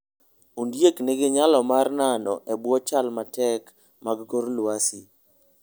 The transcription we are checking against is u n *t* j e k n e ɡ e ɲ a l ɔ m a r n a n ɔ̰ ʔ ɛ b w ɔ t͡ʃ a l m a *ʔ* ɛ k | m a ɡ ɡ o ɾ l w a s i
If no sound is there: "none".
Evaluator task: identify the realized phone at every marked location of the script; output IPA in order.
d, t

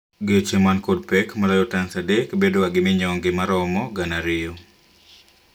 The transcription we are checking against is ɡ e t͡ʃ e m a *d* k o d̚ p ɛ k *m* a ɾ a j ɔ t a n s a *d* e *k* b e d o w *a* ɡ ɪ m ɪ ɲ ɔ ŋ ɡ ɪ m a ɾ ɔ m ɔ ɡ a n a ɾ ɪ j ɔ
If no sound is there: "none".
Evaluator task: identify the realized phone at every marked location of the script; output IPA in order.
n, m, d, k, a

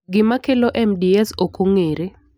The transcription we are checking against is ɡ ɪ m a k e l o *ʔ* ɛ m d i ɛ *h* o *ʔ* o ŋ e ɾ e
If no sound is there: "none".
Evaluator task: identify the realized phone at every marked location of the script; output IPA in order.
ʔ, s, k

